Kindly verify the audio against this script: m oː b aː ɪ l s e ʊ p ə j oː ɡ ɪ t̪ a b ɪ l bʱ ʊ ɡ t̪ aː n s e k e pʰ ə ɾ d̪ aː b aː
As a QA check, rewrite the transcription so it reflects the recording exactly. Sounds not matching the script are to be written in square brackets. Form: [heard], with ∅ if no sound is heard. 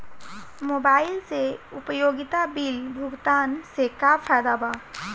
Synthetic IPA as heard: m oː b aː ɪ l s e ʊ p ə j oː ɡ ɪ t̪ a b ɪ l bʱ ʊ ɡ t̪ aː n s e k [a] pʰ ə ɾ d̪ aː b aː